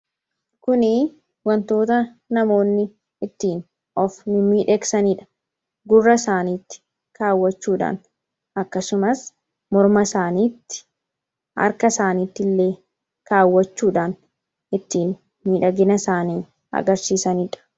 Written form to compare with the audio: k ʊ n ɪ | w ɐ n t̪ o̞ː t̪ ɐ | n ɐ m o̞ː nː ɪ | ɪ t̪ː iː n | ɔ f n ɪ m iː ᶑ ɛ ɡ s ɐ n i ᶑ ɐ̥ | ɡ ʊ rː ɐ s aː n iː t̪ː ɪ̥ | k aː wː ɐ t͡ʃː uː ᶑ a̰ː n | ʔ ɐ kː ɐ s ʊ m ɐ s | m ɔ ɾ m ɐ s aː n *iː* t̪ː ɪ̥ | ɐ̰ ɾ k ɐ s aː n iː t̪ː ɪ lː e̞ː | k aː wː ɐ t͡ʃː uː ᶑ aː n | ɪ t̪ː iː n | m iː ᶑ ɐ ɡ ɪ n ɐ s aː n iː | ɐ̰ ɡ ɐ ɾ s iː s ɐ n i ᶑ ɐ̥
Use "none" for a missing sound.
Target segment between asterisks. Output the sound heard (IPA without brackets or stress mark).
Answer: iː